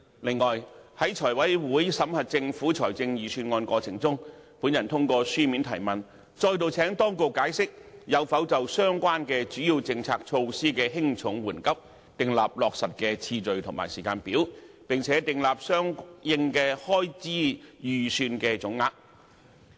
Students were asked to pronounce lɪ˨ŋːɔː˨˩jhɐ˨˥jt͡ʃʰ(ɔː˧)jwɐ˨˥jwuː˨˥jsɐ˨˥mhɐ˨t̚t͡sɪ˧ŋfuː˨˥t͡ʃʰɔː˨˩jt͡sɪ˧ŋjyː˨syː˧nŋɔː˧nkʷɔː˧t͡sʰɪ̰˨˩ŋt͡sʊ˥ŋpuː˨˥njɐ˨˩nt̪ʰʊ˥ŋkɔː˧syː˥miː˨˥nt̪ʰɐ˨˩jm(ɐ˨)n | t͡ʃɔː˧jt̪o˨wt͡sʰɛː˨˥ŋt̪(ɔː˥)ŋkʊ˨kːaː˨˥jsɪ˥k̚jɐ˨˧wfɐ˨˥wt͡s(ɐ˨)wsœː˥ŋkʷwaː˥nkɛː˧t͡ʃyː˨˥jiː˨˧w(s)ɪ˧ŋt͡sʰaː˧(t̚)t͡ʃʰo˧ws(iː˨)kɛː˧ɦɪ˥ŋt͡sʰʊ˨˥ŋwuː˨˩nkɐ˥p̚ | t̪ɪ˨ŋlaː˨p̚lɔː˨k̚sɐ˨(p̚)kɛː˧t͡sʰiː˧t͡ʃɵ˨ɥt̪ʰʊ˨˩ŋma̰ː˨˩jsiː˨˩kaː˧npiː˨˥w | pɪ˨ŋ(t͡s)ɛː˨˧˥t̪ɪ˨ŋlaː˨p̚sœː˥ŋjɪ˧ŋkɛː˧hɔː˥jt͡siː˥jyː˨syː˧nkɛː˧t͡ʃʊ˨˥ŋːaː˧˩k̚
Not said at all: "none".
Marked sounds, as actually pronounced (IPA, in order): ɔː˨˩, ɐ˨, ɔː˥, ɐ˨, t͡s, k̚, iː˥, t̚, t͡sʰ

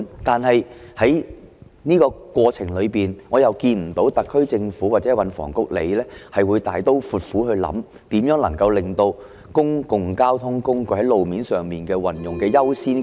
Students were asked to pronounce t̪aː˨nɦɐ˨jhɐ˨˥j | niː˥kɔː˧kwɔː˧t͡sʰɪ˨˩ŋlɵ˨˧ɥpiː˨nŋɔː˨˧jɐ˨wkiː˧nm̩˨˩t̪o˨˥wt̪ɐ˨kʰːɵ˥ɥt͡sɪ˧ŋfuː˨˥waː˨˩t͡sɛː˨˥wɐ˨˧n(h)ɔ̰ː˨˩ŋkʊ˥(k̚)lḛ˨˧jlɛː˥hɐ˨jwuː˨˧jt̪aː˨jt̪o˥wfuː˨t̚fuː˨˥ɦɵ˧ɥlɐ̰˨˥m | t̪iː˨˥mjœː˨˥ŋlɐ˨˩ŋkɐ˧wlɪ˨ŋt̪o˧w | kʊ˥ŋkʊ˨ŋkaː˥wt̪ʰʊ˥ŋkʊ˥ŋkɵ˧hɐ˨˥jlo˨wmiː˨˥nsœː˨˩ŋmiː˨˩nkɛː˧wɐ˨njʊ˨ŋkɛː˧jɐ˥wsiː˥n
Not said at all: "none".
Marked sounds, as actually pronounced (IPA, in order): f, k̚

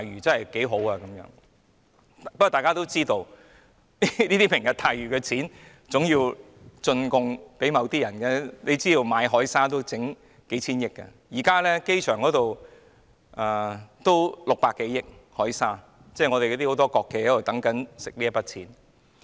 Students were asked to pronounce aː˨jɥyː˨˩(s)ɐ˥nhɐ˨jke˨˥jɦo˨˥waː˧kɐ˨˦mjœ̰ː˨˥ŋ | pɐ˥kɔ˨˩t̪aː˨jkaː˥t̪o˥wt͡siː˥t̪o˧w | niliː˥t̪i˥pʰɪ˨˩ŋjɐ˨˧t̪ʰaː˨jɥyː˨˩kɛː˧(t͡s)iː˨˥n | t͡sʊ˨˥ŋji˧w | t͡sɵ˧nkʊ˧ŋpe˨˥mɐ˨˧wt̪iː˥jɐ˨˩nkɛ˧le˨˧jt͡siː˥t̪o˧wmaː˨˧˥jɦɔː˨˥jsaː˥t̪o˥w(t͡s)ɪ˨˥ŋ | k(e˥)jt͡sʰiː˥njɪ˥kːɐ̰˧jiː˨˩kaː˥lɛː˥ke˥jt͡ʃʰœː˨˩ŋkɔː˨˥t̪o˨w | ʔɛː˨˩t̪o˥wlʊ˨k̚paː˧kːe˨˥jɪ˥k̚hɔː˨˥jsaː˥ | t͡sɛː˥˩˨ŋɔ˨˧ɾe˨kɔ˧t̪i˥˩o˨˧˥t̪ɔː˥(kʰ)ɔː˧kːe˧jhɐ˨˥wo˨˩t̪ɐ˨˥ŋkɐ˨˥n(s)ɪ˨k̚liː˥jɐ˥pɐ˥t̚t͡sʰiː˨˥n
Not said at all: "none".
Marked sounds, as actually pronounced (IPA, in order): t͡s, t͡sʰ, t͡s, e˨˥, k, s

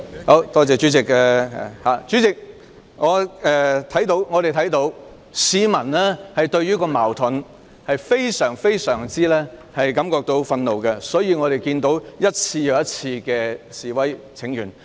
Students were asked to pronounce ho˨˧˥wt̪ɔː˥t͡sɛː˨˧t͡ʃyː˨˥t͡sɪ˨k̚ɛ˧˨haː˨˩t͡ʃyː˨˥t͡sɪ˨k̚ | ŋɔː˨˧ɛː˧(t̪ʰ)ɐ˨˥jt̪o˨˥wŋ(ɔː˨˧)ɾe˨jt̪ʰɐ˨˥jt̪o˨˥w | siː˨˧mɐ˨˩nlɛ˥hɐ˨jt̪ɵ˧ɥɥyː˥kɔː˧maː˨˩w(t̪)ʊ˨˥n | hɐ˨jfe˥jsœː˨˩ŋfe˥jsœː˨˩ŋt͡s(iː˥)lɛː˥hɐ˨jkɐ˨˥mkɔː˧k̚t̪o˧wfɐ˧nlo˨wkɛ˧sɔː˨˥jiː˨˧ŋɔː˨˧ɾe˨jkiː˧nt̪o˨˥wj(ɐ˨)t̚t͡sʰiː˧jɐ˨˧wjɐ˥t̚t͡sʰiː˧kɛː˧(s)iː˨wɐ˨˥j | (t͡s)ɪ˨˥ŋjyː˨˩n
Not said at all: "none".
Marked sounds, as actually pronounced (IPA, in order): t̪ʰ, ɔː˨˧, t̪ʰ, iː˥, ɐ˥, s, t͡sʰ

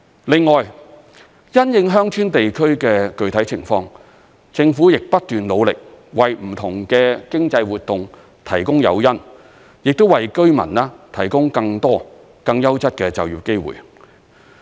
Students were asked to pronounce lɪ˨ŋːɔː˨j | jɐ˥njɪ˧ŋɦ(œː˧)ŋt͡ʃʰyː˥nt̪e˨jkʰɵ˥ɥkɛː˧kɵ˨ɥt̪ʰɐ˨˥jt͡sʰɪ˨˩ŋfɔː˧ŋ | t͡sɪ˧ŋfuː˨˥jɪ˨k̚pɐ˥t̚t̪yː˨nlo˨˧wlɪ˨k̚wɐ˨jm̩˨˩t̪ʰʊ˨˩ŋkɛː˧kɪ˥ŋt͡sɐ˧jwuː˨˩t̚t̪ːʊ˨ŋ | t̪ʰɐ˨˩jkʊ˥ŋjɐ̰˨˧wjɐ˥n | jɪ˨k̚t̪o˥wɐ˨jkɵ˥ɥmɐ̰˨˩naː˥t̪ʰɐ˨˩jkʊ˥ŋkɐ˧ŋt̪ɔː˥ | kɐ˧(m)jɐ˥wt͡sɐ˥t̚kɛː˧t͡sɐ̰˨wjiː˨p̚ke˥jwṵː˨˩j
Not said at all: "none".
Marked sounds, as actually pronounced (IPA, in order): œː˥, ŋ

